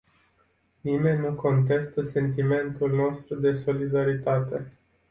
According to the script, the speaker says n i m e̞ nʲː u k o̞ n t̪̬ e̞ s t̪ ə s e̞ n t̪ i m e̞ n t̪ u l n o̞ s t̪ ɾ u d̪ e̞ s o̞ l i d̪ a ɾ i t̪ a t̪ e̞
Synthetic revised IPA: n i m e̞ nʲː u k o̞ n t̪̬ e̞ s t̪ ə s e̞ n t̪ i m e̞ n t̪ u l n o̞ s t̪ ɾ u d̪ e̞ s o̞ l i d̪ a ɾ i t̪ a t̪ e̞